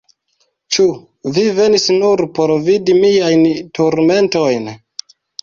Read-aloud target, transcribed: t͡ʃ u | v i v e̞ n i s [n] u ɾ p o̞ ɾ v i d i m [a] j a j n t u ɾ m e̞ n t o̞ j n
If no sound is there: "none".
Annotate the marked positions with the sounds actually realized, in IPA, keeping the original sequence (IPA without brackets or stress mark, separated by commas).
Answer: n, i